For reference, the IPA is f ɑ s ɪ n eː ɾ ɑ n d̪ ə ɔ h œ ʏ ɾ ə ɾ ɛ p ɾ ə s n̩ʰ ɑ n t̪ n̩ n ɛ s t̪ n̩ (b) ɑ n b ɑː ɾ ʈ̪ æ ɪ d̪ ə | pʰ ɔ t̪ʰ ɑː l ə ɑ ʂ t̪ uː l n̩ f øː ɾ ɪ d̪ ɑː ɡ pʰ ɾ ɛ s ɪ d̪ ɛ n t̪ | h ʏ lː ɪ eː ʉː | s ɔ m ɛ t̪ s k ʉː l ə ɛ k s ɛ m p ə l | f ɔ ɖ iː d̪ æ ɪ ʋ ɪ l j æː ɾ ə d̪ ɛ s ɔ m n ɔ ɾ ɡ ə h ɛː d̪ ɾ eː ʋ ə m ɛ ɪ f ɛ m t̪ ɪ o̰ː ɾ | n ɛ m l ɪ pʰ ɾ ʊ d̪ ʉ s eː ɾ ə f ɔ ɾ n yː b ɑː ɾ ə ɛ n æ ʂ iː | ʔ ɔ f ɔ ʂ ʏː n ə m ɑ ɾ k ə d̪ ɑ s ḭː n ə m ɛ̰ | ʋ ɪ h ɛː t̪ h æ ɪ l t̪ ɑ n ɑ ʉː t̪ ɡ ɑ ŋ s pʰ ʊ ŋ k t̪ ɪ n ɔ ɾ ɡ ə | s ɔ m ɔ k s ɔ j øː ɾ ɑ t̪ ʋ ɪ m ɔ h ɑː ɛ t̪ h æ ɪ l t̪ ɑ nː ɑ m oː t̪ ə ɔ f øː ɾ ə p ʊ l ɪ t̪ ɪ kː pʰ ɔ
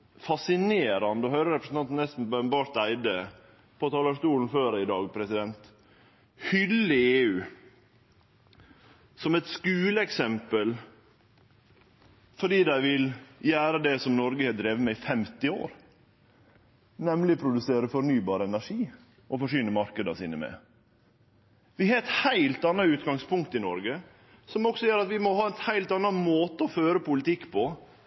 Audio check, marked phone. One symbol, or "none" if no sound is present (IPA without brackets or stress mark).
b